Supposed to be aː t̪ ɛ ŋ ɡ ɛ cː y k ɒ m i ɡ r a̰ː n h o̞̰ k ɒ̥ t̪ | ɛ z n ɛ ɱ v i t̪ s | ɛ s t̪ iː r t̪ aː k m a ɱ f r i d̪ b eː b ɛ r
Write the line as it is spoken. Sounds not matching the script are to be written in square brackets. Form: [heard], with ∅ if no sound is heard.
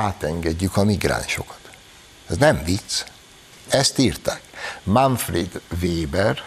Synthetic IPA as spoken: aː t̪ ɛ ŋ ɡ ɛ [ɟː] y k ɒ m i ɡ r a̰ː n [ʃ] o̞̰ k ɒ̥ t̪ | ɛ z n ɛ ɱ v i t̪ s | ɛ s t̪ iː r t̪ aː k m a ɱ f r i d̪ [v] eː b ɛ r